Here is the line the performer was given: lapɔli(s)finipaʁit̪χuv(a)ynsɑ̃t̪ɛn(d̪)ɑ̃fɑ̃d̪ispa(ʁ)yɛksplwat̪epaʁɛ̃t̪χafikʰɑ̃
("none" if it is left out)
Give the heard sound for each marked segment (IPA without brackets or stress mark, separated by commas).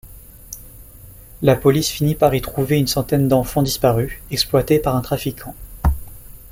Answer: s, e, d̪, ʁ